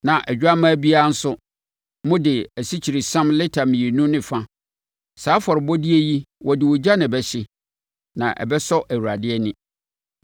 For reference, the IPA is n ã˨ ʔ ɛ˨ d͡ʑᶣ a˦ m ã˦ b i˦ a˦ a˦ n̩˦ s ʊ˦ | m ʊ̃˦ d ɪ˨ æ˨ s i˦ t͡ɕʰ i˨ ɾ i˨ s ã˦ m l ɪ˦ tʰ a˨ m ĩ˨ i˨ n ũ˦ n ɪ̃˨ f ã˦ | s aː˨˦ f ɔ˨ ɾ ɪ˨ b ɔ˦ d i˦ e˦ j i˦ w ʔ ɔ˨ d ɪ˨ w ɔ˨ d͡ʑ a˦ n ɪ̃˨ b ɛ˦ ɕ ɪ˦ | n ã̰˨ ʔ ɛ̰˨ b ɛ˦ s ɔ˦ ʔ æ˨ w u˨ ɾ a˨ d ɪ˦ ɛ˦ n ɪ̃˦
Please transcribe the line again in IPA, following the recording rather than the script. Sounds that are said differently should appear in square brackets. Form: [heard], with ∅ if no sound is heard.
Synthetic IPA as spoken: n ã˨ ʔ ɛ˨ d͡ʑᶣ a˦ m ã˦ b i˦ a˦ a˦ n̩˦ s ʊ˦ | m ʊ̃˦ d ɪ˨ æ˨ s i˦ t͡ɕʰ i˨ ɾ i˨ s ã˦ m l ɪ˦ tʰ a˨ m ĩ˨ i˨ n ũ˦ n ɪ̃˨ f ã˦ | s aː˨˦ f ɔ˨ ɾ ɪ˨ b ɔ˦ d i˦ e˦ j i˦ w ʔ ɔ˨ d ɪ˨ w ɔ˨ d͡ʑ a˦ n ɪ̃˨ b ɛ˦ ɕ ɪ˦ | n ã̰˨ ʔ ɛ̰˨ b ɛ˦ s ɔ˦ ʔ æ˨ w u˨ ɾ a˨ d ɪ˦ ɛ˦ n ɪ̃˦